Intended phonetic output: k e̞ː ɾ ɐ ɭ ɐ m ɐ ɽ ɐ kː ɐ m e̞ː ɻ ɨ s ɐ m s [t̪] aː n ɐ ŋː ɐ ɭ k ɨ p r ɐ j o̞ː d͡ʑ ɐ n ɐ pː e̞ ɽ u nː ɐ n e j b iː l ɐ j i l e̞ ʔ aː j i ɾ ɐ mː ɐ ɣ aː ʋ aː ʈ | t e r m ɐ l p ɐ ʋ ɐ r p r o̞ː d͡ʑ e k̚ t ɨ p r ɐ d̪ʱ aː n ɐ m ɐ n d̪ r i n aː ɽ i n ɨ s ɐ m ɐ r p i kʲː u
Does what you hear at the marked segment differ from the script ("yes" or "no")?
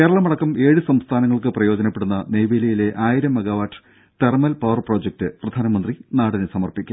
yes